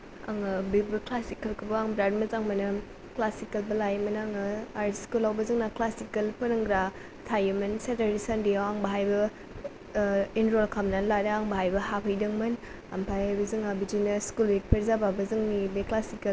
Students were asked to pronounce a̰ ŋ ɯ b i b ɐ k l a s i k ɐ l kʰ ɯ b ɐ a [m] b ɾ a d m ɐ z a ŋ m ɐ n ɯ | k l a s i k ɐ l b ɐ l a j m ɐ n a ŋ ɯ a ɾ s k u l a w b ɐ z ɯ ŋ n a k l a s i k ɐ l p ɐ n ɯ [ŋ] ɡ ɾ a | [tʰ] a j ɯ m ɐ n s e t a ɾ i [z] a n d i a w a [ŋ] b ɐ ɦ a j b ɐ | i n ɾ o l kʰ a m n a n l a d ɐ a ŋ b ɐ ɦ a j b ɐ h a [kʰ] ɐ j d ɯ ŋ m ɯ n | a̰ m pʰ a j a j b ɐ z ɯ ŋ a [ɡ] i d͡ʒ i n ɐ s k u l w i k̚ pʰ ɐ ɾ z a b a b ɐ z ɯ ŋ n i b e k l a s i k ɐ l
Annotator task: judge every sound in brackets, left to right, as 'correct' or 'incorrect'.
incorrect, correct, correct, incorrect, correct, incorrect, incorrect

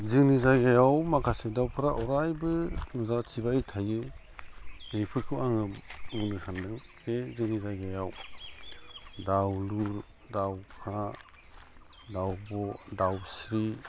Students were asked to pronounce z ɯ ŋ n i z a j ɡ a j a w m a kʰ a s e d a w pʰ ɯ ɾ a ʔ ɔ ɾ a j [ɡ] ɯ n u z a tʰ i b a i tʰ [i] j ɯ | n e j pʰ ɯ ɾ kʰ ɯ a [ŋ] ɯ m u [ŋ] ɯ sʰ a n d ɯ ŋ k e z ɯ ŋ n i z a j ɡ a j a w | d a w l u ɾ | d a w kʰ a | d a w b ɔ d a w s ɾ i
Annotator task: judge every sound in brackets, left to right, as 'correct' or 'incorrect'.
incorrect, incorrect, correct, incorrect

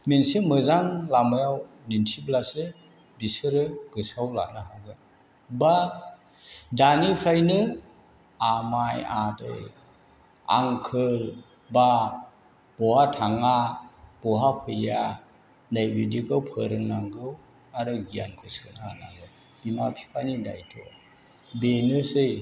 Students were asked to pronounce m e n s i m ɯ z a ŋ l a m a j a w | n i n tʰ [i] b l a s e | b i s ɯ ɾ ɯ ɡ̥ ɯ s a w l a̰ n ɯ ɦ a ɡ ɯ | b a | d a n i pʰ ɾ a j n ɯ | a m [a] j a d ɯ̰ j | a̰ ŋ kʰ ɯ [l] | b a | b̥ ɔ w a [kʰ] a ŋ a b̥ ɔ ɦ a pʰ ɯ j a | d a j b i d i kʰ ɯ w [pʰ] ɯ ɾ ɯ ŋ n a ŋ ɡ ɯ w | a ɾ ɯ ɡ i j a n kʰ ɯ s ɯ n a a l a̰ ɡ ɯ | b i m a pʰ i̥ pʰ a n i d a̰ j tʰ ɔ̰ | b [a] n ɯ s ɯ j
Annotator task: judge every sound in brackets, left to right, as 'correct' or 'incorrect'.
correct, correct, correct, incorrect, correct, incorrect

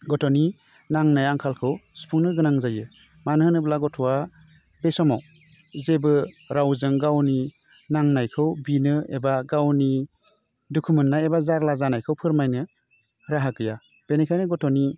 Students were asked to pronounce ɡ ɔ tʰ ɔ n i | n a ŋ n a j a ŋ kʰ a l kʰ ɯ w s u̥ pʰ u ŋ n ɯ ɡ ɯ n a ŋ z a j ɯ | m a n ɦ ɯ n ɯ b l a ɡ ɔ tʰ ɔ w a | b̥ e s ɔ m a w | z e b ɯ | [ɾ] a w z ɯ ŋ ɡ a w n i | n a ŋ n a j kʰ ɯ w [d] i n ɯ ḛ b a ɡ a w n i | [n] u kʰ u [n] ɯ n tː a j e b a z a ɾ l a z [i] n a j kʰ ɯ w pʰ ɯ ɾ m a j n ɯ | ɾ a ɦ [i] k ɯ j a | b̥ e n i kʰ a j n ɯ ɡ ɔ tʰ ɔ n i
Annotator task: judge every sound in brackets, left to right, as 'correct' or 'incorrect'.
correct, incorrect, incorrect, incorrect, incorrect, incorrect

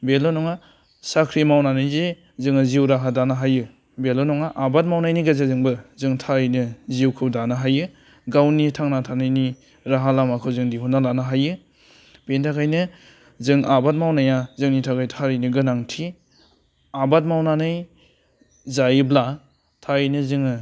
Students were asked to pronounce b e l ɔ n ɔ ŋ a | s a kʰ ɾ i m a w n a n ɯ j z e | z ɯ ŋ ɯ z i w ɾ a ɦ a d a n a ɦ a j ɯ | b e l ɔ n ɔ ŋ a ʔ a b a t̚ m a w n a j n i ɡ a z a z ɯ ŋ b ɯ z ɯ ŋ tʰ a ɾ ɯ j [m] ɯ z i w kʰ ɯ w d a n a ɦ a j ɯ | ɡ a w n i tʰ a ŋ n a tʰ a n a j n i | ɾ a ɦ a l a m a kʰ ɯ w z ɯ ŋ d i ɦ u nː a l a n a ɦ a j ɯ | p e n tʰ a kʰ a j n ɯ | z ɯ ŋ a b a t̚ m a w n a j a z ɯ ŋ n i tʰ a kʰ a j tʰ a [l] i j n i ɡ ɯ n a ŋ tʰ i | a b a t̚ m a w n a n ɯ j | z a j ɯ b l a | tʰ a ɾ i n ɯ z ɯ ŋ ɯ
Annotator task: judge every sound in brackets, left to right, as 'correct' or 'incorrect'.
incorrect, incorrect

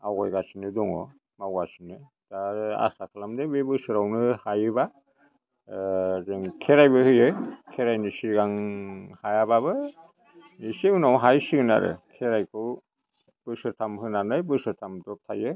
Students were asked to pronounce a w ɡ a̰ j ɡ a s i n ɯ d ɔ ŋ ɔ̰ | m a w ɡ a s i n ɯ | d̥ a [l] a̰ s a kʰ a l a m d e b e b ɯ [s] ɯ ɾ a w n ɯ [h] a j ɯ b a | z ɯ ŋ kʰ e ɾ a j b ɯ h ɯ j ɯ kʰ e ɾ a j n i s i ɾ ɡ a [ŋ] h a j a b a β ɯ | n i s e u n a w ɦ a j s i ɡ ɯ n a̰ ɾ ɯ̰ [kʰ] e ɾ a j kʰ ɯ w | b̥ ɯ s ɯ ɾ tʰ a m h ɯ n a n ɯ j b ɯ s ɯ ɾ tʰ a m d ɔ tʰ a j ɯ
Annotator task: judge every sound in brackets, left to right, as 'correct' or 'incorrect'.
incorrect, correct, correct, correct, correct

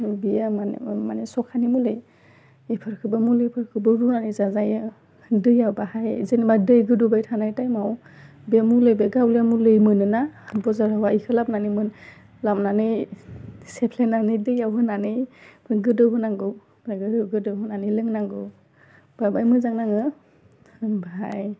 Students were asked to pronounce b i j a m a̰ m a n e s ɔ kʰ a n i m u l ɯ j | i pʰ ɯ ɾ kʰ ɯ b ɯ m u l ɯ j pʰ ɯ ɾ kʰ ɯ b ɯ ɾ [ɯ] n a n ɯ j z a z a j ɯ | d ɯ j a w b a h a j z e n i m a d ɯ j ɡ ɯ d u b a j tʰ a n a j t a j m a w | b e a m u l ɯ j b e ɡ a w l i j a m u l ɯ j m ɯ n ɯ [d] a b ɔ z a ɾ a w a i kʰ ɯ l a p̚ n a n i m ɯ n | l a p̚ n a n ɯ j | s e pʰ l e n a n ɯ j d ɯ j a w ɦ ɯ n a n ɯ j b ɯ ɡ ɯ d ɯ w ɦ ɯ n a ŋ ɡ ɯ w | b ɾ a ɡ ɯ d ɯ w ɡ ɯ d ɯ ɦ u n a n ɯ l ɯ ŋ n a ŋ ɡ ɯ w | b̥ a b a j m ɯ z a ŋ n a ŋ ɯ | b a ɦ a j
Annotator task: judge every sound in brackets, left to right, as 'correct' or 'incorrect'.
incorrect, incorrect

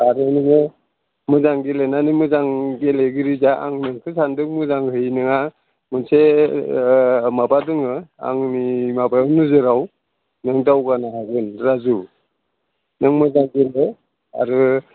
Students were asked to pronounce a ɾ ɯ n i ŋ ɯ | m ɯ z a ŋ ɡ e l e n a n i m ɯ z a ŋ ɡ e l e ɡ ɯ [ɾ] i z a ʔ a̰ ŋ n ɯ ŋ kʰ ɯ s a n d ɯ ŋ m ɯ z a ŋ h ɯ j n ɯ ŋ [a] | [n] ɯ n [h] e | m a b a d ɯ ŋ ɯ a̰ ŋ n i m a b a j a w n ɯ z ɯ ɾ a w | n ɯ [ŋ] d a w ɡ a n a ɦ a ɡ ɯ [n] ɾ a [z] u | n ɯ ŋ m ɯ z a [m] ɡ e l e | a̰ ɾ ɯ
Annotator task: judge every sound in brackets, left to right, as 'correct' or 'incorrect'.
correct, correct, incorrect, incorrect, correct, correct, correct, incorrect

